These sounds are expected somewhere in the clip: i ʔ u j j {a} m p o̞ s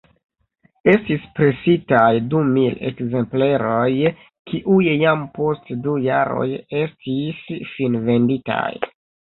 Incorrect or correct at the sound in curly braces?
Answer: correct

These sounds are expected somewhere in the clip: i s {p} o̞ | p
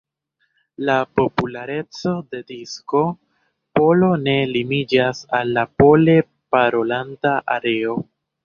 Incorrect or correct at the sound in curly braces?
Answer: incorrect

